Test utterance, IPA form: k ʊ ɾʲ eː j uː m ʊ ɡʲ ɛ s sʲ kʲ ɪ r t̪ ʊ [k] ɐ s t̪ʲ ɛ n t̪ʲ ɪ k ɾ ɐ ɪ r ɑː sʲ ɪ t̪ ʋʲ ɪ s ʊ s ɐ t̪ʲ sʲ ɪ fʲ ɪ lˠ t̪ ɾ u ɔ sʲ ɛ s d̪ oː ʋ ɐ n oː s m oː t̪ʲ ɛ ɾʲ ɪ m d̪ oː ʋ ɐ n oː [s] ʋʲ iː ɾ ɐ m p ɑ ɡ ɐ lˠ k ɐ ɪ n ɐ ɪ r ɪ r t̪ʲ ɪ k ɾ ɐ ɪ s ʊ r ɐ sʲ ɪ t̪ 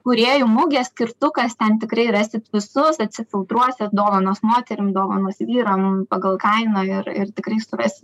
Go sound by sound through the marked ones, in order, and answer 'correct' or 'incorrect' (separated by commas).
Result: correct, correct